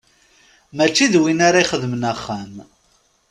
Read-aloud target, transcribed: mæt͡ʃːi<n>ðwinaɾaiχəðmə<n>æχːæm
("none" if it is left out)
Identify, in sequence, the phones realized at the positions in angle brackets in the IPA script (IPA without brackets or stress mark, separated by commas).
none, n